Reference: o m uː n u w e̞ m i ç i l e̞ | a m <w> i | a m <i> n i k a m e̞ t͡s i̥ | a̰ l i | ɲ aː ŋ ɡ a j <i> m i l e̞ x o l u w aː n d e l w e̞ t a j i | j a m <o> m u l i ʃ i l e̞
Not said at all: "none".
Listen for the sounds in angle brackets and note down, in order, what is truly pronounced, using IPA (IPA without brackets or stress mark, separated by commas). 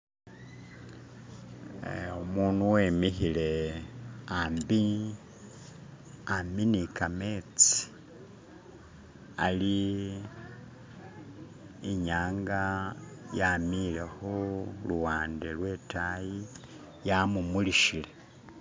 b, i, a, u